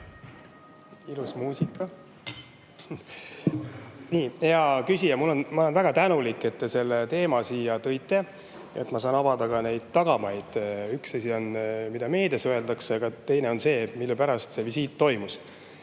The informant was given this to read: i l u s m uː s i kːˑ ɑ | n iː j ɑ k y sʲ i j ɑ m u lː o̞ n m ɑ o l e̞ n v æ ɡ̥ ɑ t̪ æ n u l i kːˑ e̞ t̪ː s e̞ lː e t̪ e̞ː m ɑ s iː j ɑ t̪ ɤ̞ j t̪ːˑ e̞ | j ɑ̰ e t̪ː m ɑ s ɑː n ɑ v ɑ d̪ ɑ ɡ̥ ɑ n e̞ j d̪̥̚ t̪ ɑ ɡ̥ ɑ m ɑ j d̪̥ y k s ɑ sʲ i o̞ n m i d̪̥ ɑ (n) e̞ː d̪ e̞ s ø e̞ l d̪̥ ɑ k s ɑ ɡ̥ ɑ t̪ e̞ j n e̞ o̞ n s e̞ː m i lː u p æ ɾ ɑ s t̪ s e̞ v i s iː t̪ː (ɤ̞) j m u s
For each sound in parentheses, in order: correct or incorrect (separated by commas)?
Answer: incorrect, incorrect